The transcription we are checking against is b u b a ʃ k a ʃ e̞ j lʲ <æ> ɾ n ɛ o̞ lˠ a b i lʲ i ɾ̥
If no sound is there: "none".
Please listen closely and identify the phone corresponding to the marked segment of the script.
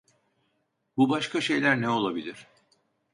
æ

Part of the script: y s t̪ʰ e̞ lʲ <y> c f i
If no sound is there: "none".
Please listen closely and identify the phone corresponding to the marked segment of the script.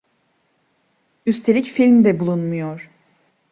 i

